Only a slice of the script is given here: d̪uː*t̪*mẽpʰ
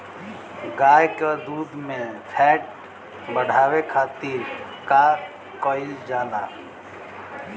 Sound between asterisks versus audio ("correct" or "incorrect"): incorrect